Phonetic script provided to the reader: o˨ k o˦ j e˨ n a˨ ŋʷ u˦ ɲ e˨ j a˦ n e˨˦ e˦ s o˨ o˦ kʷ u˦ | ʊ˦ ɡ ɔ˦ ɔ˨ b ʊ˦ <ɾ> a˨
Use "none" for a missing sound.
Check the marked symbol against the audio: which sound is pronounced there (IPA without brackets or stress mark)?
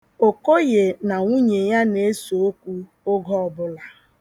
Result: l